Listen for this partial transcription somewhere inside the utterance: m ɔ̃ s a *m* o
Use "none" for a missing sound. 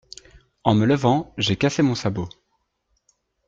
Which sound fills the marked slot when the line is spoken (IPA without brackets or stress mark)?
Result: b